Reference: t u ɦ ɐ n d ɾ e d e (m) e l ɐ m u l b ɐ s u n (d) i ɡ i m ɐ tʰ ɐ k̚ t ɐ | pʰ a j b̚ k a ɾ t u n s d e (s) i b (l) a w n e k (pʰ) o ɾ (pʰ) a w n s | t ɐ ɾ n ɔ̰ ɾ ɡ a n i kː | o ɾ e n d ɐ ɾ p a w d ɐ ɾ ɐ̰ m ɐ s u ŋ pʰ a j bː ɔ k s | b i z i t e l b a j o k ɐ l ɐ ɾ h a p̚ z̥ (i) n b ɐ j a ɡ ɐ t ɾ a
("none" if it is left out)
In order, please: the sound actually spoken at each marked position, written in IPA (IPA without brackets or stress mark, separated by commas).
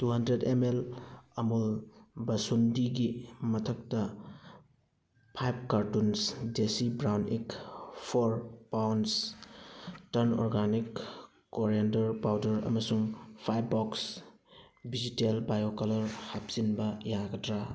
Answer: m, d, s, ɾ, pʰ, p, i